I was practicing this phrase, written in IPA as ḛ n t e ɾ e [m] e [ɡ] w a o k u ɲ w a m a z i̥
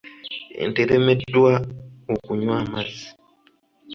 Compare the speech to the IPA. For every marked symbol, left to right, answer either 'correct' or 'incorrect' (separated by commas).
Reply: correct, incorrect